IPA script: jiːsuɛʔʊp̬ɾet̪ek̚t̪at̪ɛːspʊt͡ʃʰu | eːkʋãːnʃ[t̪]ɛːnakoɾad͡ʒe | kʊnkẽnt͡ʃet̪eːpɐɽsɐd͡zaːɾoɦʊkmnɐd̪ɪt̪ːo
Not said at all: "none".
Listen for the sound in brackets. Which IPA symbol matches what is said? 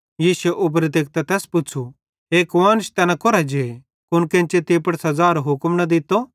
t̪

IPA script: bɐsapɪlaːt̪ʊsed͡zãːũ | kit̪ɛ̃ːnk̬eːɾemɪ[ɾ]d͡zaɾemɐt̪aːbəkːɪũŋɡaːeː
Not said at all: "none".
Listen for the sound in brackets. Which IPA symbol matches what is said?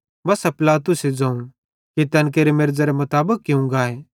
ɾ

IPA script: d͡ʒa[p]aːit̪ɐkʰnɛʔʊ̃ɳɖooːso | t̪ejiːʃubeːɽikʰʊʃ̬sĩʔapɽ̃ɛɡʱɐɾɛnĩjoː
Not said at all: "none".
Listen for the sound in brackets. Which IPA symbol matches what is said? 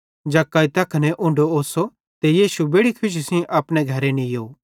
k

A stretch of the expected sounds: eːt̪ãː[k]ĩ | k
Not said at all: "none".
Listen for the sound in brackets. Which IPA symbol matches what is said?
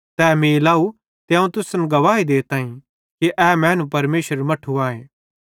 none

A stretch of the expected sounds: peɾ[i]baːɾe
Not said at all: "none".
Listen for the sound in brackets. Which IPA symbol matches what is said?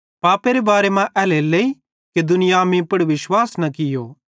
e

